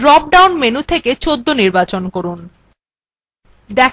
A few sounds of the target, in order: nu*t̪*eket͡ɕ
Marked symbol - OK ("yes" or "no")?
no